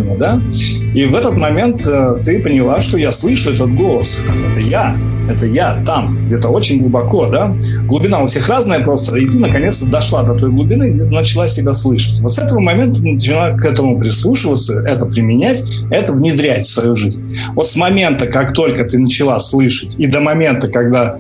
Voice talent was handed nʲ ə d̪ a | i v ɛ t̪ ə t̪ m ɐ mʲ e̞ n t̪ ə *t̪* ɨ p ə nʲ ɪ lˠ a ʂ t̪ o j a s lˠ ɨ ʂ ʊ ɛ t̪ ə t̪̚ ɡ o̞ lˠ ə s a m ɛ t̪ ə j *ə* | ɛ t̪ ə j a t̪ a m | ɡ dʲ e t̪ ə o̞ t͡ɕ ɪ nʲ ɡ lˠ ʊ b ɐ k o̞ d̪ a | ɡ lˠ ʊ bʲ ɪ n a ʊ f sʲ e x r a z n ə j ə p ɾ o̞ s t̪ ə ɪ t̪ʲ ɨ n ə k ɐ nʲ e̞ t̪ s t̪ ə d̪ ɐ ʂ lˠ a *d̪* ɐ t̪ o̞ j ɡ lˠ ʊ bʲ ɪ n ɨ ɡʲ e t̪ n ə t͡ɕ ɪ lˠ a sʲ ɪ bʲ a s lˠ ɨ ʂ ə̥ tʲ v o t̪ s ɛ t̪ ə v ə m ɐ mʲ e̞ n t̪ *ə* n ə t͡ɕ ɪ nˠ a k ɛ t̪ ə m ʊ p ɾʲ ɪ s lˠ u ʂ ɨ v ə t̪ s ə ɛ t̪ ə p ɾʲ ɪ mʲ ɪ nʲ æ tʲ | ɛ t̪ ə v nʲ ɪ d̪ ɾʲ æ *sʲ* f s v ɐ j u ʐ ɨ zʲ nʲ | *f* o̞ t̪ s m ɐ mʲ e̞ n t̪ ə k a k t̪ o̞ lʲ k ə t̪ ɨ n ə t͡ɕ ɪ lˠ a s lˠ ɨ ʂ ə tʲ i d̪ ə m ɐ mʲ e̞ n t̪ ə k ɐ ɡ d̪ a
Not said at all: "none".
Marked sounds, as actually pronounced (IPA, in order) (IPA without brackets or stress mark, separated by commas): t̪, a, d̪, ə, tʲ, v